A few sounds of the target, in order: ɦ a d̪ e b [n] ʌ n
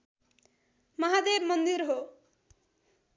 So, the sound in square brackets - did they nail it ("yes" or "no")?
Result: no